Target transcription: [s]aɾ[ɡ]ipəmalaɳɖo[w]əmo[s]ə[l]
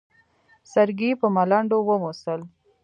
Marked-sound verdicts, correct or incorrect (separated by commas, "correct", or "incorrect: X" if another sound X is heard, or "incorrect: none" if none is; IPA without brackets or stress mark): correct, correct, correct, correct, correct